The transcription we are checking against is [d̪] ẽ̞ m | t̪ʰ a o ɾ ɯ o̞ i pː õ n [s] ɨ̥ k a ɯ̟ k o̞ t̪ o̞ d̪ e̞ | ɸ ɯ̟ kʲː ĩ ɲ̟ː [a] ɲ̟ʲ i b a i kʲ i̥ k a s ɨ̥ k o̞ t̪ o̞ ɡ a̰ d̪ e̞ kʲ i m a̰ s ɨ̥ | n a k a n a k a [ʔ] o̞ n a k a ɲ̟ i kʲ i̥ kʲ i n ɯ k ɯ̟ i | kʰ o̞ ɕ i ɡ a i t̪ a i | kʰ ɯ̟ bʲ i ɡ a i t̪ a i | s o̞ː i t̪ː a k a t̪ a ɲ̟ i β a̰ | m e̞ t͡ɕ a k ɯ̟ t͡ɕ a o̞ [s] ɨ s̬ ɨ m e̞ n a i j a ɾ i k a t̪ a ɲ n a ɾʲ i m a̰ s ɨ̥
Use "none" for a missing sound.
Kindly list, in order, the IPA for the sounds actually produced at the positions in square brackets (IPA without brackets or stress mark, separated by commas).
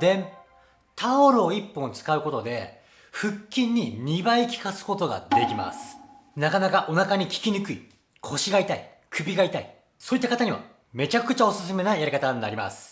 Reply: d̪, t͡s, i, ʔ, s